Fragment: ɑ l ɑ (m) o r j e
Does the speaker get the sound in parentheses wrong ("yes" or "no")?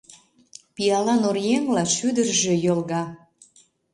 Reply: yes